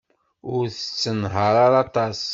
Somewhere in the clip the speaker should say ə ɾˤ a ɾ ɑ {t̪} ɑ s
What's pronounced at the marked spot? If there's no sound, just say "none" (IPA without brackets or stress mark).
t̪